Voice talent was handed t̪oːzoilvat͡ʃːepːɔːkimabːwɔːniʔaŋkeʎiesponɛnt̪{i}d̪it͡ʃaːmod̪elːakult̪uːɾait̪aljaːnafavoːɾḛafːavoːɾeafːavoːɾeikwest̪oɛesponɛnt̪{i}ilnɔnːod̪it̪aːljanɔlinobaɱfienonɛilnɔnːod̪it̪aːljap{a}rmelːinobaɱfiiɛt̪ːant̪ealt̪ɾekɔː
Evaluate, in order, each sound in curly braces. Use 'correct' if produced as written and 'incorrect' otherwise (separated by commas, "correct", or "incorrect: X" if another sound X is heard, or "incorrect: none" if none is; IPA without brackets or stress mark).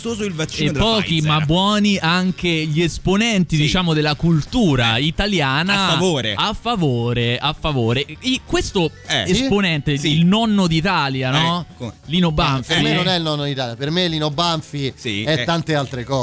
correct, incorrect: e, incorrect: e